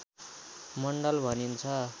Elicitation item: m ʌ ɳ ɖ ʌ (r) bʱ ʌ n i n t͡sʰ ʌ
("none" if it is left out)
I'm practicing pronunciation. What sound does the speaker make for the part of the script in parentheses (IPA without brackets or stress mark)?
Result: l